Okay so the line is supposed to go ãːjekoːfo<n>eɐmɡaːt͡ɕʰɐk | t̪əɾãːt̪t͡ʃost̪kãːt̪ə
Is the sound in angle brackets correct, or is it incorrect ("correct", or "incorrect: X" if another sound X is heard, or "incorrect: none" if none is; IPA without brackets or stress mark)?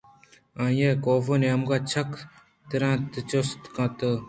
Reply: correct